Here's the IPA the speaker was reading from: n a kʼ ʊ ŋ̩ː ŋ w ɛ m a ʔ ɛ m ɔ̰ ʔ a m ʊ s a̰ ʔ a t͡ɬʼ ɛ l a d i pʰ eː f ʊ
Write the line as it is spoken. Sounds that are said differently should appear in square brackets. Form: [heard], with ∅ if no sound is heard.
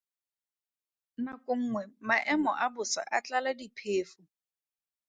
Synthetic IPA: n a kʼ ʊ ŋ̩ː ŋ w ɛ m a ʔ ɛ m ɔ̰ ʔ a [b] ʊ s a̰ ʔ a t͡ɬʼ [a] l a d i pʰ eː f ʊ